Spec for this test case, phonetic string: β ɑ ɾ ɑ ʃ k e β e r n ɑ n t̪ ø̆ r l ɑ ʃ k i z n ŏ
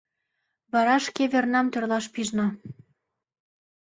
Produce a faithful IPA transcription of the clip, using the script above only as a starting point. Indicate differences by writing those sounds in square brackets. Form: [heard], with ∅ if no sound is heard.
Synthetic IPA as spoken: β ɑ ɾ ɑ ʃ k e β e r n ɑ [m] t̪ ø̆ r l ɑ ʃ [p] i [ʒ] n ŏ